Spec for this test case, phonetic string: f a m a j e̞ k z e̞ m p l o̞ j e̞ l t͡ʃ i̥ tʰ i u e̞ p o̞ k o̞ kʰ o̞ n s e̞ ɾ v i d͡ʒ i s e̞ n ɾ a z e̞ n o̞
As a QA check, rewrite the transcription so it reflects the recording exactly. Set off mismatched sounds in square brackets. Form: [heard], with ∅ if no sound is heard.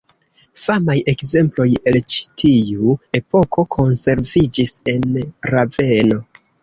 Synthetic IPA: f a m a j e̞ k z e̞ m p l o̞ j e̞ l t͡ʃ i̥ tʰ i u e̞ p o̞ k o̞ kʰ o̞ n s e̞ ɾ v i d͡ʒ i s e̞ n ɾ a [v] e̞ n o̞

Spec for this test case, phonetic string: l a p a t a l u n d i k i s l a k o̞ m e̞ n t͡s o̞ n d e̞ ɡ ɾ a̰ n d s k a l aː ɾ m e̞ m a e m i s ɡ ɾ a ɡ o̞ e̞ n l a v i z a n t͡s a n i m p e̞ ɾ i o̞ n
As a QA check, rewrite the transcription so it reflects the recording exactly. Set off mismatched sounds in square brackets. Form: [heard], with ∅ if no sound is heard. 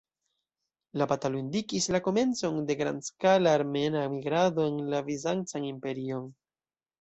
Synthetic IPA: l a p a t a l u n d i k i s l a k o̞ m e̞ n t͡s o̞ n d e̞ ɡ ɾ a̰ n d s k a l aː ɾ m e̞ [n] a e m i [∅] ɡ ɾ a [d] o̞ e̞ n l a v i z a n t͡s a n i m p e̞ ɾ i o̞ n

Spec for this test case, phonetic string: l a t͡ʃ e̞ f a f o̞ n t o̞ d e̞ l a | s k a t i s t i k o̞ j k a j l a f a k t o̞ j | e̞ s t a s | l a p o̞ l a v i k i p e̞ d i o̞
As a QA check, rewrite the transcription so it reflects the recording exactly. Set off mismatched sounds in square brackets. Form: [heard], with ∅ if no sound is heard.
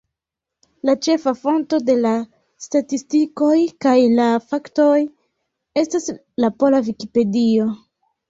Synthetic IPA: l a t͡ʃ e̞ f a f o̞ n t o̞ d e̞ l a | s [t] a t i s t i k o̞ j k a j l a f a k t o̞ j | e̞ s t a s | l a p o̞ l a v i k i p e̞ d i o̞

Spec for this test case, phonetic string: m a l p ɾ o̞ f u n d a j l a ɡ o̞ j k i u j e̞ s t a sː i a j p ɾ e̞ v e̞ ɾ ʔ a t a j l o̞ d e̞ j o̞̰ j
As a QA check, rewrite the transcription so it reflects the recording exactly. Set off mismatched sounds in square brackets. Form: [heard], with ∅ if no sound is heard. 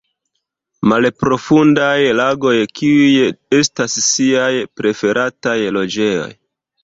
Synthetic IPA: m a l p ɾ o̞ f u n d a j l a ɡ o̞ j k i u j e̞ s t a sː i a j p ɾ e̞ [f] e̞ ɾ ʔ a t a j l o̞ [d͡ʒ] e̞ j o̞̰ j

